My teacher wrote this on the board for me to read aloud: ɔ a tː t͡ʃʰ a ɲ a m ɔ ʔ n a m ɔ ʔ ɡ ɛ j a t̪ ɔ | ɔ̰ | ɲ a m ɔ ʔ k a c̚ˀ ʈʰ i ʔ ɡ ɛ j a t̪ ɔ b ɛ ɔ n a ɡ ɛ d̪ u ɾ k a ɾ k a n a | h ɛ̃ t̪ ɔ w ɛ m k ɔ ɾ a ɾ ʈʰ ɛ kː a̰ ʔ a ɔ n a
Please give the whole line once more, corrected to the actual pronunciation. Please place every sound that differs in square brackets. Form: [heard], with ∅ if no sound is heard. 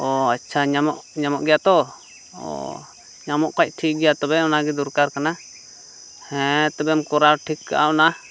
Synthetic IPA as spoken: ɔ a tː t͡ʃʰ a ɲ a m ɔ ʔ [ɲ] a m ɔ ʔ ɡ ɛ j a t̪ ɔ | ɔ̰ | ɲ a m ɔ ʔ k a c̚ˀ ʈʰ i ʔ ɡ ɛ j a t̪ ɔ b ɛ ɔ n a ɡ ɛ d̪ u ɾ k a ɾ k a n a | h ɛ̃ t̪ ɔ [b] ɛ m k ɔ ɾ a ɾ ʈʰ [i] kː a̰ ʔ a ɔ n a